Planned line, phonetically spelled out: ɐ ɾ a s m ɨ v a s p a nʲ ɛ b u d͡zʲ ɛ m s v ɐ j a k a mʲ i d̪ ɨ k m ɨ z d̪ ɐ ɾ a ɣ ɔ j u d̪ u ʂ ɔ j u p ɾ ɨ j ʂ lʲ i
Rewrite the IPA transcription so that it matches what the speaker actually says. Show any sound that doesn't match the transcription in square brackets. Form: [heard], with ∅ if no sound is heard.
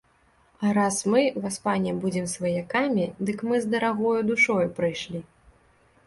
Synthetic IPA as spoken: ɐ ɾ a s m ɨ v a s p a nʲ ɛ b u d͡zʲ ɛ m s v ɐ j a k a mʲ i d̪ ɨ k m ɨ z d̪ ɐ ɾ a ɣ ɔ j u d̪ u ʂ ɔ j u p ɾ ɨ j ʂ lʲ i

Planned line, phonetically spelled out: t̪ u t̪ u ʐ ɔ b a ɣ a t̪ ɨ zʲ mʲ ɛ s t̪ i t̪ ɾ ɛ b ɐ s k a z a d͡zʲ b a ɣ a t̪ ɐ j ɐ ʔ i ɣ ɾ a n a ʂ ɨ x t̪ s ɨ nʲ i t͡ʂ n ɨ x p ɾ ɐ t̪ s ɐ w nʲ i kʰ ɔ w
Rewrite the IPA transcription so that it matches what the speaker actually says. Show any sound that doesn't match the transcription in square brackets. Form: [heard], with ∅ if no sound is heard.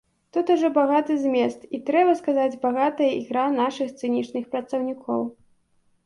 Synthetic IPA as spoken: t̪ u t̪ u ʐ ɔ b a ɣ a t̪ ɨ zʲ mʲ ɛ s t̪ i t̪ ɾ ɛ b ɐ s k a z a d͡zʲ b a ɣ a t̪ ɐ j ɐ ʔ i ɣ ɾ a n a ʂ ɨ x t̪ s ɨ nʲ i t͡ʂ n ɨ x p ɾ ɐ t̪ s ɐ w nʲ i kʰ ɔ w

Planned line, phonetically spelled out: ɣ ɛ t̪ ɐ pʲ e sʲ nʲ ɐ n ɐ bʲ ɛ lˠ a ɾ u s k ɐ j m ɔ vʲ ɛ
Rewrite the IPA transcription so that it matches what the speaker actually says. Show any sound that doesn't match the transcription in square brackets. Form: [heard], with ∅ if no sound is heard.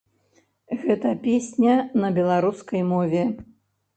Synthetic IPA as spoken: ɣ ɛ t̪ ɐ pʲ e sʲ nʲ ɐ n ɐ bʲ ɛ lˠ a ɾ u s k ɐ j m ɔ vʲ ɛ

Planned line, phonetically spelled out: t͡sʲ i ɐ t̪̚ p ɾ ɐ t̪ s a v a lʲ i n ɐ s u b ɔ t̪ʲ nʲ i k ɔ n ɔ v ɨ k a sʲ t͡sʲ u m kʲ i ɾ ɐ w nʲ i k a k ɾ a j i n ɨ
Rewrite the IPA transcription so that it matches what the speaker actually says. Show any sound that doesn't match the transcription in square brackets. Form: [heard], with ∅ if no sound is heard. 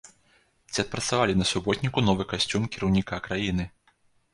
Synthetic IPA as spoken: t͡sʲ i ɐ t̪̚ p ɾ ɐ t̪ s a v a lʲ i n ɐ s u b ɔ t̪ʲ nʲ i k [u] n ɔ v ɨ k a sʲ t͡sʲ u m kʲ i ɾ ɐ w nʲ i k a k ɾ a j i n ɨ

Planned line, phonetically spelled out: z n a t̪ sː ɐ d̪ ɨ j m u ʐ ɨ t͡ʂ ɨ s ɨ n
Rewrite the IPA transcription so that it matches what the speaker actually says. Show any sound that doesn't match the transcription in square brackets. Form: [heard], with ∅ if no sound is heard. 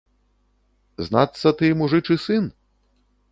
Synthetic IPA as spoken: z n a t̪ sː ɐ [t̪] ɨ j m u ʐ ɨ t͡ʂ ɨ s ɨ n

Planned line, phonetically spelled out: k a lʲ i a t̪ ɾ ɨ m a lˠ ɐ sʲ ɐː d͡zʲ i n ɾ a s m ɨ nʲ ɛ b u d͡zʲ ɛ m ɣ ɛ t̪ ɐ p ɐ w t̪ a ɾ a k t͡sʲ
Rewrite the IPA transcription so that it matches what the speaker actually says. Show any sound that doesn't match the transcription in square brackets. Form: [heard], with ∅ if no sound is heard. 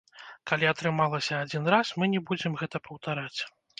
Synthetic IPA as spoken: k a lʲ i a t̪ ɾ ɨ m a lˠ ɐ sʲ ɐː d͡zʲ i n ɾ a s m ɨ nʲ ɛ b u d͡zʲ ɛ m ɣ ɛ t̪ ɐ p ɐ w t̪ a ɾ a [∅] t͡sʲ

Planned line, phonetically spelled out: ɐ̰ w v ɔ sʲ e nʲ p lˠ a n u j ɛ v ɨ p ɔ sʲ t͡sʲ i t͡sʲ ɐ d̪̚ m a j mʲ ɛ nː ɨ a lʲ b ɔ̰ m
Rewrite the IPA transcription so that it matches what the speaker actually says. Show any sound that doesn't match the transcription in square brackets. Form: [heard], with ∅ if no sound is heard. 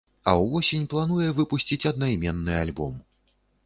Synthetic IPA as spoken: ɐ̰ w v ɔ sʲ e nʲ p lˠ a n u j ɛ v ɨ p [u] sʲ t͡sʲ i t͡sʲ ɐ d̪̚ [n] a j mʲ ɛ nː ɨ a lʲ b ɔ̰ m

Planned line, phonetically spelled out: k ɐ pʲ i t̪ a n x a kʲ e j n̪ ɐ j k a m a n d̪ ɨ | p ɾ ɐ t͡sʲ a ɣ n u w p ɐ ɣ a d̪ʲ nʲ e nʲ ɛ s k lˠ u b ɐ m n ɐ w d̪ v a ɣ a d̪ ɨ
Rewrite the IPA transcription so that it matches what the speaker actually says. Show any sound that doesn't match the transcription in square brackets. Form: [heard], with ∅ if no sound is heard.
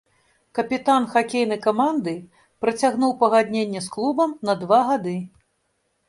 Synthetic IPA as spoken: k ɐ pʲ i t̪ a n x a kʲ e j n̪ ɐ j k a m a n d̪ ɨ | p ɾ ɐ t͡sʲ a ɣ n u w p ɐ ɣ a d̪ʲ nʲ e [nʲː] ɛ s k lˠ u b ɐ m n ɐ [∅] d̪ v a ɣ a d̪ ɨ

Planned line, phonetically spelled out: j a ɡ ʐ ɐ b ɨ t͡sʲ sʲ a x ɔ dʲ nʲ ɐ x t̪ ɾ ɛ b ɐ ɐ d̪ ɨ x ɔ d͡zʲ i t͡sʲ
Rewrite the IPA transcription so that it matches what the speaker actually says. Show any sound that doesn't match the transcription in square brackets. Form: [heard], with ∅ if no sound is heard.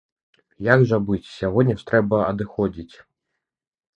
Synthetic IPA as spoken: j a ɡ ʐ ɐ b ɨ t͡sʲ sʲ a [ɣ] ɔ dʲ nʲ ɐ [ʂ] t̪ ɾ ɛ b ɐ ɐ d̪ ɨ x ɔ d͡zʲ i t͡sʲ

